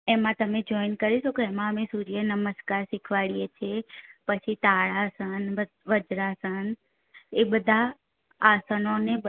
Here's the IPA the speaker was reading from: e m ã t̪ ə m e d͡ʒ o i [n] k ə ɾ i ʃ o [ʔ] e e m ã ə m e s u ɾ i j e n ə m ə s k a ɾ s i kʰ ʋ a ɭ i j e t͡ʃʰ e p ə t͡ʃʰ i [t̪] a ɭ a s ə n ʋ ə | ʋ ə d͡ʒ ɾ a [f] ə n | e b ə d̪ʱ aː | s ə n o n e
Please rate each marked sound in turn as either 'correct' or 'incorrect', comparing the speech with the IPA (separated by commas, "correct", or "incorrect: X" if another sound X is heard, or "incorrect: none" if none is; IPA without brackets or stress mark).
correct, incorrect: k, correct, incorrect: s